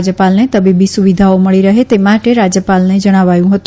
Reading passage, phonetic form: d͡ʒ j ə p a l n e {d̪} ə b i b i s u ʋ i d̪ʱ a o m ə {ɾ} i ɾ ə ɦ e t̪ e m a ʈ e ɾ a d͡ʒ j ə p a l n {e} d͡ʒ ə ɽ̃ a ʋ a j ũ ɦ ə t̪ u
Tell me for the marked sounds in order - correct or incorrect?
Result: incorrect: t̪, incorrect: ɭ, correct

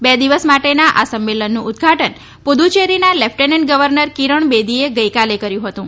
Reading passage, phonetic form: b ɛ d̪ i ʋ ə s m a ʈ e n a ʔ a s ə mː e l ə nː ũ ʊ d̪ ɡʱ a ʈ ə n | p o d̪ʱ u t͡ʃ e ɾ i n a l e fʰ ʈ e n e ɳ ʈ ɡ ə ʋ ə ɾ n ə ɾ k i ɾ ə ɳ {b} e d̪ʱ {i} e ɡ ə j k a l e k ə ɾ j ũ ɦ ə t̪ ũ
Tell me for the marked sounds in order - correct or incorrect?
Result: correct, correct

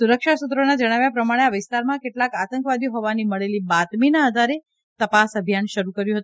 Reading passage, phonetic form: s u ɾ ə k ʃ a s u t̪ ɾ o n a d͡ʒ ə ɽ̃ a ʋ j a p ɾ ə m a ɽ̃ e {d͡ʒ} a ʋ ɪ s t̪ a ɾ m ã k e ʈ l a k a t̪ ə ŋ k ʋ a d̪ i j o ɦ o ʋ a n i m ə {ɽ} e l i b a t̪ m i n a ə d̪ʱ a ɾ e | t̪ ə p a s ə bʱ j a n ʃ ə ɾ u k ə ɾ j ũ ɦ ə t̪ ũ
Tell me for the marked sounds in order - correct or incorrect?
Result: incorrect: none, incorrect: ɭ

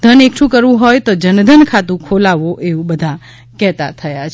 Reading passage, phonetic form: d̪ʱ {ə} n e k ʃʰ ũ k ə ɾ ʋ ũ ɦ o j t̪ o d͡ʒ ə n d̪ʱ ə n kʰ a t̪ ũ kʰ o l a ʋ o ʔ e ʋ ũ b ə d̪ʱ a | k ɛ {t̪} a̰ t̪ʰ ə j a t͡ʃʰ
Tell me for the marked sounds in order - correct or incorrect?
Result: correct, correct

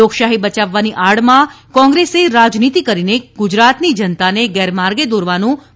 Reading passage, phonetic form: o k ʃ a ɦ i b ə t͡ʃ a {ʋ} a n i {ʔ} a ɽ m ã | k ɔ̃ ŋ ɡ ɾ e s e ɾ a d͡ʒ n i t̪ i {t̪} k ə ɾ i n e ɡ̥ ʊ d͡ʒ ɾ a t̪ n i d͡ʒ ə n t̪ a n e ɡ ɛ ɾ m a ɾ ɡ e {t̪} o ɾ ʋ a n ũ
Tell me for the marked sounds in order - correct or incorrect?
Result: incorrect: ʋː, correct, incorrect: none, incorrect: d̪

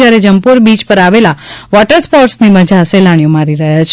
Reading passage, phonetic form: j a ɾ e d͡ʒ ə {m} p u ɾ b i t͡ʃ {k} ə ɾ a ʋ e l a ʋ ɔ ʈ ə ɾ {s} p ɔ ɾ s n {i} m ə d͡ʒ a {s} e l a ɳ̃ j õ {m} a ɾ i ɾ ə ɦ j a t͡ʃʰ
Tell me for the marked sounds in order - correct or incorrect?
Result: correct, incorrect: p, correct, correct, correct, correct

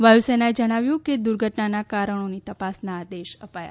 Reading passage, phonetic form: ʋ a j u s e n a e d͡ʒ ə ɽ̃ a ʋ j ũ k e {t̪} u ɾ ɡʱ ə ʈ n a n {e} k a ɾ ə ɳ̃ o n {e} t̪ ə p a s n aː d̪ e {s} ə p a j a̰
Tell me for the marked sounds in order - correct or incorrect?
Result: incorrect: d̪, incorrect: a, incorrect: i, incorrect: ʃ

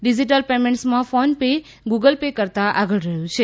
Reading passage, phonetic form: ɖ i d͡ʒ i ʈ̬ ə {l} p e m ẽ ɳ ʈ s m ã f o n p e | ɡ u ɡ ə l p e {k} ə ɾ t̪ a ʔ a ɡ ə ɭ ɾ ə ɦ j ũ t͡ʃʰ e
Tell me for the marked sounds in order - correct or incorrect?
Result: correct, correct

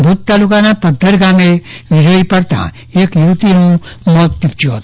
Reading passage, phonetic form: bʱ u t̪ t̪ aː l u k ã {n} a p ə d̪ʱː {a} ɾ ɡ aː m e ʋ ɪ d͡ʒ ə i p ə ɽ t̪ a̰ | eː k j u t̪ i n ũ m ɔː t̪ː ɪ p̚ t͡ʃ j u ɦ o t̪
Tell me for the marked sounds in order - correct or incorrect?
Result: correct, incorrect: ə

